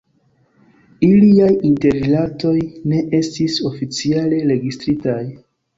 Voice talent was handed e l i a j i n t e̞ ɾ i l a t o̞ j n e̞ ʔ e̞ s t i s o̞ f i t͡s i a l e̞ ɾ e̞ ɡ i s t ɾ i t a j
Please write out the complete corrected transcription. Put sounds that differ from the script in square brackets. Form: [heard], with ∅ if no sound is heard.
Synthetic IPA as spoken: [i] l i a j i n t e̞ ɾ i l a t o̞ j n e̞ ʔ e̞ s t i s o̞ f i t͡s i a l e̞ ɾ e̞ ɡ i s t ɾ i t a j